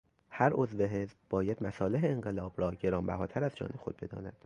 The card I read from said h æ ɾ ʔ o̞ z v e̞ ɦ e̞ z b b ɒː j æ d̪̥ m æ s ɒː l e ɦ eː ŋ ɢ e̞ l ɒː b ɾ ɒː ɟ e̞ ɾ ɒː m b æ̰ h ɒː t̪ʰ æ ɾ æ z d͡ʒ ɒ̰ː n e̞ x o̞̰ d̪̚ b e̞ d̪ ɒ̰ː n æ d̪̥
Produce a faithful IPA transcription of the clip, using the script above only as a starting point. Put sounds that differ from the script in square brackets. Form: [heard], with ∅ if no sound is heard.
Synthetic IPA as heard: h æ ɾ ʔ o̞ z v e̞ ɦ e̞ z b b ɒː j æ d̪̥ m æ s ɒː l e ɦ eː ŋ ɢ e̞ l ɒː b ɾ ɒː ɟ e̞ ɾ ɒː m b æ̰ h ɒː t̪ʰ æ ɾ æ z d͡ʒ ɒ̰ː n e̞ x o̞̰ d̪̚ b e̞ d̪ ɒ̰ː n æ d̪̥